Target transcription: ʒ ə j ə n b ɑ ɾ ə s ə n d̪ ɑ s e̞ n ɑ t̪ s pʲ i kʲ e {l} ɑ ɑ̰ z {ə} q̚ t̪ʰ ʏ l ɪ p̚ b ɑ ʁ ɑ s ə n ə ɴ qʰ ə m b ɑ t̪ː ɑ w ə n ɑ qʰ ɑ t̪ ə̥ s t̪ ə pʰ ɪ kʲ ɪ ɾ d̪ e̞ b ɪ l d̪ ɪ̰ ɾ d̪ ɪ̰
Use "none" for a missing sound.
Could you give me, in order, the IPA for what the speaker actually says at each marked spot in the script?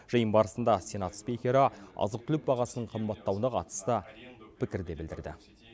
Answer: ɾ, ə

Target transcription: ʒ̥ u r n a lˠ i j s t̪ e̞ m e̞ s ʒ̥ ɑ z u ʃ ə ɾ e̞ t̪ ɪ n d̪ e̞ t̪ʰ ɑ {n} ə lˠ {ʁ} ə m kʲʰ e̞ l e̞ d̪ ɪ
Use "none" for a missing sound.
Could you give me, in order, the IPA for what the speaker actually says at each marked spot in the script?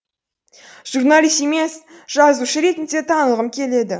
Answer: n, ʁ

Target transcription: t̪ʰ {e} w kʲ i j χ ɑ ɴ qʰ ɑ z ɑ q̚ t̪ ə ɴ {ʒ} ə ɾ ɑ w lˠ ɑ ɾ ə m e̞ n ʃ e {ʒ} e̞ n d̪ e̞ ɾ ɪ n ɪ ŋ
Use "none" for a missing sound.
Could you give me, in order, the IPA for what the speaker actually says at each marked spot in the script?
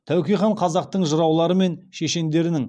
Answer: æ, ʒ, ʃ

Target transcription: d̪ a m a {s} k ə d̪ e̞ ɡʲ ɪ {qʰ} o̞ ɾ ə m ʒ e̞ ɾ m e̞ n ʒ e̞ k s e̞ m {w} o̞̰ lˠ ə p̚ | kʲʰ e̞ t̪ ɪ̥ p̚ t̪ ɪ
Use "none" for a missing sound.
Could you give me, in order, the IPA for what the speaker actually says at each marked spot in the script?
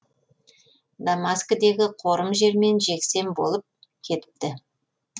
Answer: s, qʰ, b

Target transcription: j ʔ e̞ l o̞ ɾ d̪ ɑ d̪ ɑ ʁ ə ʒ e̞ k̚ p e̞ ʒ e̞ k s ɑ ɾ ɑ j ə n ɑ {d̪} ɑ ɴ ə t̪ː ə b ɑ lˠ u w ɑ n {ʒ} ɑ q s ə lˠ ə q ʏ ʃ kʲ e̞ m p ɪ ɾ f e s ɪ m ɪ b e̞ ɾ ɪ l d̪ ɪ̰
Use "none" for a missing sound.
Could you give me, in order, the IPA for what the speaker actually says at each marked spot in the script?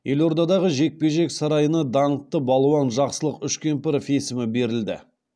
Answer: d̪, ʒ

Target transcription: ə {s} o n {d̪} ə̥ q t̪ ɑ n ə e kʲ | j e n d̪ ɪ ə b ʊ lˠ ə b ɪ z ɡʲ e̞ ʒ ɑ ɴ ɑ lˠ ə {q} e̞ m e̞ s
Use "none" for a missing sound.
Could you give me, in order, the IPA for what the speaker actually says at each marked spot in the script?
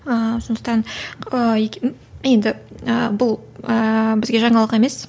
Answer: s, d̪, q

